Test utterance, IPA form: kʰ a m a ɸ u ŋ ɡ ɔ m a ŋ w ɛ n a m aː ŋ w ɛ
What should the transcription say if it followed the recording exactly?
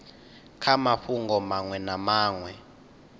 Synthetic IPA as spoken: kʰ a m a ɸ u ŋ ɡ ɔ m a ŋ w ɛ n a m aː ŋ w ɛ